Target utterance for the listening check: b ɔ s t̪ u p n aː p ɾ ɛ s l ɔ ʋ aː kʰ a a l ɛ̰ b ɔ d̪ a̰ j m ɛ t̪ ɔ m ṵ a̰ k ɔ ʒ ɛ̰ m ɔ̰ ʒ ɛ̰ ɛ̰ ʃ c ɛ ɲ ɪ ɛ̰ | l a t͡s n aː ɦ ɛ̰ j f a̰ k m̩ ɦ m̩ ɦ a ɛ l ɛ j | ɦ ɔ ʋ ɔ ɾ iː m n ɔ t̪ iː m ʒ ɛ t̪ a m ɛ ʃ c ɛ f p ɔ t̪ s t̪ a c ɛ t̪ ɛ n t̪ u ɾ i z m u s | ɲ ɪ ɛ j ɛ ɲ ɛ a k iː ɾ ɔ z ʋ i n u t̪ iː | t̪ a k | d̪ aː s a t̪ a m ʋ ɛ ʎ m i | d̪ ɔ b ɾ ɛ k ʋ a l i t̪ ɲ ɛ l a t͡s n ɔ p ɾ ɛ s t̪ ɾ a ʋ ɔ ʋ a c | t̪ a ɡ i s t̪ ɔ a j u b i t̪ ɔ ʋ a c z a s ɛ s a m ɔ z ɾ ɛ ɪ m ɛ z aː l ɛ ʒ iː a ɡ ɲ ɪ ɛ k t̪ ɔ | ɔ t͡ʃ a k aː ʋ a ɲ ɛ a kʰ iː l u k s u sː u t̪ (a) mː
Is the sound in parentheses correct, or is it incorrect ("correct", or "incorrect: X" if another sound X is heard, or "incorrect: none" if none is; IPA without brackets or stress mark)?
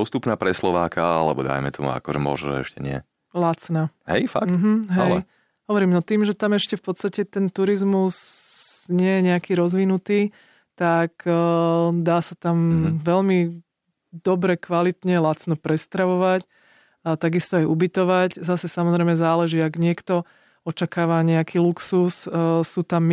correct